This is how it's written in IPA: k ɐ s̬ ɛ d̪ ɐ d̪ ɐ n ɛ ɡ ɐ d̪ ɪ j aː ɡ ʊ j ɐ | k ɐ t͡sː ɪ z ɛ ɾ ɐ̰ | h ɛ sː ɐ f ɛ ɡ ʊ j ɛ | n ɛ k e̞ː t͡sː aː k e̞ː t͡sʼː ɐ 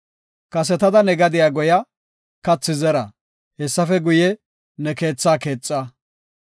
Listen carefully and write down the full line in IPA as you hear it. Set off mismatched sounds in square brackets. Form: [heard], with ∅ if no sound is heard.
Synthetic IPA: k ɐ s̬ ɛ [t̪] ɐ d̪ ɐ n ɛ ɡ ɐ d̪ ɪ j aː ɡ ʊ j ɐ | k ɐ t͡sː ɪ z ɛ ɾ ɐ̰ | h ɛ sː ɐ f ɛ ɡ ʊ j ɛ | n ɛ k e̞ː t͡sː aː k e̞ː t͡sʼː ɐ